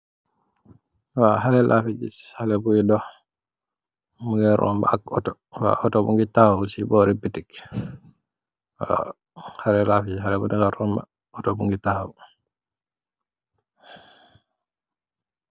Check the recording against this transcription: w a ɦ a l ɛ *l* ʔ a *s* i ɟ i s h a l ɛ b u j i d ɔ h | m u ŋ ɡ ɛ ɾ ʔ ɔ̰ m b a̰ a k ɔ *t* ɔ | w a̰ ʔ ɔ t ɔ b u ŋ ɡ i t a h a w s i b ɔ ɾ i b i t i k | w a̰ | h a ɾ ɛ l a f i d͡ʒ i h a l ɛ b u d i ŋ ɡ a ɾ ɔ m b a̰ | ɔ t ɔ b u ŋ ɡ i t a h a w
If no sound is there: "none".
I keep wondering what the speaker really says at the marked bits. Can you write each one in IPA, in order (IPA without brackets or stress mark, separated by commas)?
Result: l, f, t